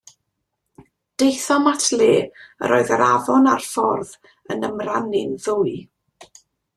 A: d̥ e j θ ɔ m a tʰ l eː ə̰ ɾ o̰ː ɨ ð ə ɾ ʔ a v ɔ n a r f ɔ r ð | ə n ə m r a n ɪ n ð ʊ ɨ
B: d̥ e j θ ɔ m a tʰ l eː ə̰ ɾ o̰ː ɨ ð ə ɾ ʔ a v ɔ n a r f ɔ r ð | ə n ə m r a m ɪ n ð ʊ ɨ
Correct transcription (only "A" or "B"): A